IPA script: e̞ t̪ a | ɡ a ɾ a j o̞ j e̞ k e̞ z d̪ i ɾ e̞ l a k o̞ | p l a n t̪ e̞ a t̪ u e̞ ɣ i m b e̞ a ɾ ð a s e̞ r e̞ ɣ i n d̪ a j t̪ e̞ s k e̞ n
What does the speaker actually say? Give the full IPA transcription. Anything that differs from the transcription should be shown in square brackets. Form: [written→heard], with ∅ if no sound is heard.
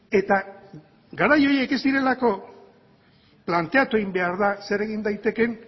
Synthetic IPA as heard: e̞ t̪ a | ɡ a ɾ a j o̞ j e̞ k e̞ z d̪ i ɾ e̞ l a k o̞ | p l a n t̪ e̞ a t̪ u e̞ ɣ i m b e̞ a ɾ ð a s e̞ [r→ɾ] e̞ ɣ i n d̪ a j t̪ e̞ [s→∅] k e̞ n